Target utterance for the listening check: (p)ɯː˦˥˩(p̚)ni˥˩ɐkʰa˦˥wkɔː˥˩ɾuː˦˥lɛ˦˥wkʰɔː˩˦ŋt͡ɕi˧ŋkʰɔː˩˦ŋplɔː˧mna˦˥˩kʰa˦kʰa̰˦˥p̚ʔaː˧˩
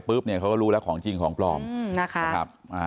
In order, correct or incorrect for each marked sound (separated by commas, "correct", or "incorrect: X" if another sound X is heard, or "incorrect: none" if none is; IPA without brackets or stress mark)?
correct, correct